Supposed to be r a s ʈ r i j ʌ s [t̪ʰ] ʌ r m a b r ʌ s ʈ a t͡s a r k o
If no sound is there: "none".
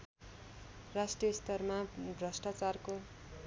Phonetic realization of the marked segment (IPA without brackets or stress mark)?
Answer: t̪